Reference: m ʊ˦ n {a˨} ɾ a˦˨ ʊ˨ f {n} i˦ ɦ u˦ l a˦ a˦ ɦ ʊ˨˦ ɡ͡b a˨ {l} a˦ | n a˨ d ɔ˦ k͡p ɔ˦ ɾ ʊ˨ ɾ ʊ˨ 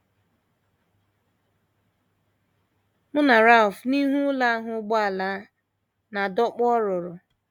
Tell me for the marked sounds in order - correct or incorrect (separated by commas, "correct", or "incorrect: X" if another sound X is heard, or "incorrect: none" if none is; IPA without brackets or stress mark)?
correct, correct, correct